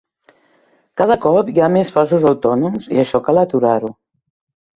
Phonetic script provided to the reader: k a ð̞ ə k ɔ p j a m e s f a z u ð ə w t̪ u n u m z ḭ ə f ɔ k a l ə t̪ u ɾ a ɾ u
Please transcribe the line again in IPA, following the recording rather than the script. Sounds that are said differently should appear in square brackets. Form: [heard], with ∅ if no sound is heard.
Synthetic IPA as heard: k a ð̞ ə k ɔ p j a m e s f a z u [z] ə w t̪ [ɔ] n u m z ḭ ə [ʃ] ɔ k a l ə t̪ u ɾ a ɾ u